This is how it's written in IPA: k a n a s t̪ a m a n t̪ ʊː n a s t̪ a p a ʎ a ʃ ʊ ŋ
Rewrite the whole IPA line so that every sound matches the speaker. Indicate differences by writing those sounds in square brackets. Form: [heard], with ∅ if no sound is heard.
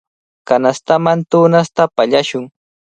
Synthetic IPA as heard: k a n a s t̪ a m a n t̪ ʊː n a s t̪ a p a ʎ a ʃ ʊ ŋ

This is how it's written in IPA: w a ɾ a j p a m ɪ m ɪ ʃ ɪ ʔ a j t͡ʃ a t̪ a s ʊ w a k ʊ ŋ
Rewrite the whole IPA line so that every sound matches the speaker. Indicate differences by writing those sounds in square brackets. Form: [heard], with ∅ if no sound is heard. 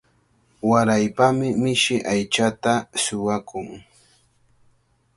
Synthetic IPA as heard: w a ɾ a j p a m ɪ m ɪ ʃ ɪ ʔ a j t͡ʃ a t̪ a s ʊ w a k ʊ ŋ

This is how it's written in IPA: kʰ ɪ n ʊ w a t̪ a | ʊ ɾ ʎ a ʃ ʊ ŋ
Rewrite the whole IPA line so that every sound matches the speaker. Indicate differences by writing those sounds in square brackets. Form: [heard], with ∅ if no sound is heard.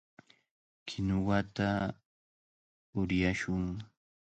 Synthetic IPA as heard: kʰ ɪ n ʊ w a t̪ a | ʊ ɾ [j] a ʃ ʊ ŋ

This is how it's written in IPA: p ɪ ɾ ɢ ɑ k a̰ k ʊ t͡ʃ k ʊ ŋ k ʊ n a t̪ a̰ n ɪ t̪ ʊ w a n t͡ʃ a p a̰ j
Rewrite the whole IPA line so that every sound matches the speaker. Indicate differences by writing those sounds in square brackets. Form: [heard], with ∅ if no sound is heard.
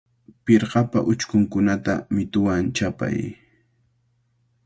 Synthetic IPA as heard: p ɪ ɾ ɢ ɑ [p] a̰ [ʔ] ʊ t͡ʃ k ʊ ŋ k ʊ n a t̪ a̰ [m] ɪ t̪ ʊ w a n t͡ʃ a p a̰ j

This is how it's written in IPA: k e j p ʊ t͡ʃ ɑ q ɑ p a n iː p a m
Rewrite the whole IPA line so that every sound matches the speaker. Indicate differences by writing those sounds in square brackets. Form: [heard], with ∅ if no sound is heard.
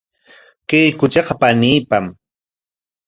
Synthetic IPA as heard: k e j [k] ʊ t͡ʃ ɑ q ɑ p a n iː p a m

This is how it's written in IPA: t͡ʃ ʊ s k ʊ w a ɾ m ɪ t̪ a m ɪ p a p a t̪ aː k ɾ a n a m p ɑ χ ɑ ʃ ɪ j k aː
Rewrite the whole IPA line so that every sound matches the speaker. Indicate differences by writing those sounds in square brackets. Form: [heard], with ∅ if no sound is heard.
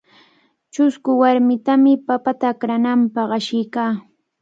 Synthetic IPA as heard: t͡ʃ ʊ s k ʊ w a ɾ m ɪ t̪ a m ɪ p a p a t̪ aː k ɾ a n a m p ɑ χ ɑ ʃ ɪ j k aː

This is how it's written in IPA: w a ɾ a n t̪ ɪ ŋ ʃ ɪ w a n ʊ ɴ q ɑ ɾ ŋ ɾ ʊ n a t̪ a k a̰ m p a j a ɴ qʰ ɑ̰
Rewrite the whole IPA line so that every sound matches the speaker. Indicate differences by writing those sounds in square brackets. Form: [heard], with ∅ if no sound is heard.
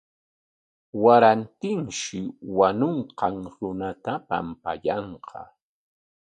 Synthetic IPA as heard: w a ɾ a n t̪ ɪ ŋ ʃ ɪ w a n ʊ ɴ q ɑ [∅] ŋ ɾ ʊ n a t̪ a [p] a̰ m p a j [ɑ] ɴ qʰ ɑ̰

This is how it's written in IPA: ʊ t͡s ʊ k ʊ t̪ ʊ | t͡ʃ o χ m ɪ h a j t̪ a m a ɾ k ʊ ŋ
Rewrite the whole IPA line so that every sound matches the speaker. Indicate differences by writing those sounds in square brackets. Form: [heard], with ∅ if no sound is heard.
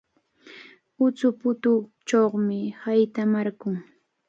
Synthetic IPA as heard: ʊ t͡s ʊ [p] ʊ t̪ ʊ | t͡ʃ o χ m ɪ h a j t̪ a m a ɾ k ʊ ŋ

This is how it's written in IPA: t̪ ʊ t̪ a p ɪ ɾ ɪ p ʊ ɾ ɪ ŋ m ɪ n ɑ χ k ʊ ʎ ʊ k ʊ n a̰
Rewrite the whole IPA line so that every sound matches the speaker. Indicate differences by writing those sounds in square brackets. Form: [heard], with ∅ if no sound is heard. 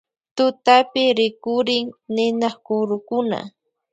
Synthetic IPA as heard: t̪ ʊ t̪ a p ɪ ɾ ɪ [k] ʊ ɾ ɪ ŋ [n] ɪ n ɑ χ k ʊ [ɾ] ʊ k ʊ n a̰

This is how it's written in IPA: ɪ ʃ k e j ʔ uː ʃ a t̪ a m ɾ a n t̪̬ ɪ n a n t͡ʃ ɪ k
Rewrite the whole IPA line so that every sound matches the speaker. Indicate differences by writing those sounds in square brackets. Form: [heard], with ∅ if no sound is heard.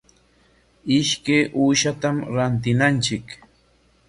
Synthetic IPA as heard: ɪ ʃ k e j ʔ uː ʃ a t̪ a m ɾ a n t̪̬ ɪ n a n t͡ʃ ɪ k

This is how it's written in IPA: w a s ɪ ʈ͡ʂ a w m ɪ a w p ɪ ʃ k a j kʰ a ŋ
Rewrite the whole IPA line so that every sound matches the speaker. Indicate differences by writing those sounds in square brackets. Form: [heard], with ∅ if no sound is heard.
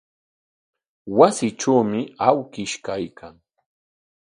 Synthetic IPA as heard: w a s ɪ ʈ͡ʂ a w m ɪ a w [k] ɪ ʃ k a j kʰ a ŋ

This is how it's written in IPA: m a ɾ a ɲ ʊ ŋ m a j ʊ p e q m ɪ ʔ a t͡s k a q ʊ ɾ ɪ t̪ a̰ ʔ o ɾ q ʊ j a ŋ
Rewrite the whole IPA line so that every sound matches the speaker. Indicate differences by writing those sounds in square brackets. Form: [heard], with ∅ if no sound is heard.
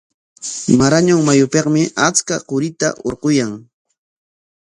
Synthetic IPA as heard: m a ɾ a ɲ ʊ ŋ m a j ʊ p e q m ɪ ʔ a t͡s k a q ʊ ɾ ɪ t̪ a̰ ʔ o ɾ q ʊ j a ŋ

